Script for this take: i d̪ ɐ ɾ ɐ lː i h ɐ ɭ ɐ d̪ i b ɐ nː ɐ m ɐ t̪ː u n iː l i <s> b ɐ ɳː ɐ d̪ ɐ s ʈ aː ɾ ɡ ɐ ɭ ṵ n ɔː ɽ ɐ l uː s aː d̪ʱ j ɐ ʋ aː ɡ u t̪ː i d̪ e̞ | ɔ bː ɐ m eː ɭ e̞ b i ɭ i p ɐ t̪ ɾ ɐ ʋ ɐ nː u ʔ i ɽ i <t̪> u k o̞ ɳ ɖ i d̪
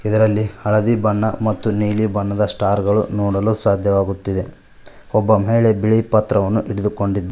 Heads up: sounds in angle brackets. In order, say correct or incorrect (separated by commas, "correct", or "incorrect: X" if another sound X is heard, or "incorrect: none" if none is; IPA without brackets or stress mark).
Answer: incorrect: none, incorrect: d̪